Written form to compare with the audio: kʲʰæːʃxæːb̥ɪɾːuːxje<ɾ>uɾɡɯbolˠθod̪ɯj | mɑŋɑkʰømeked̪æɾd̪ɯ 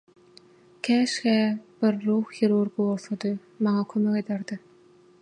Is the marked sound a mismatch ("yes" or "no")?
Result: no